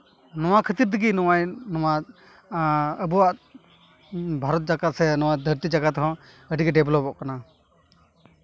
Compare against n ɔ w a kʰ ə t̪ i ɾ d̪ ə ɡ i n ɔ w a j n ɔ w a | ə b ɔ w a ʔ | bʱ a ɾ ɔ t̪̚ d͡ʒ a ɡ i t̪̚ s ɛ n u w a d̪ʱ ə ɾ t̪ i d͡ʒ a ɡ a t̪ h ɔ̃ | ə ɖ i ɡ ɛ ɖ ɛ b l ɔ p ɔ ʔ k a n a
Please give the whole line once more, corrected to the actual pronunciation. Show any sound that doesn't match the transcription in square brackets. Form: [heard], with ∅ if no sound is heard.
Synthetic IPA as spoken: n ɔ w a kʰ ə t̪ i ɾ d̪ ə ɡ i n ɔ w a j n ɔ w a | ə b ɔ w a ʔ | bʱ a ɾ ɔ t̪̚ d͡ʒ a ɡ [a] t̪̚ s ɛ n [ɔ] w a d̪ʱ ə ɾ t̪ i d͡ʒ a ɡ a t̪ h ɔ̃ | ə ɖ i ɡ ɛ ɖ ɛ b l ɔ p ɔ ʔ k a n a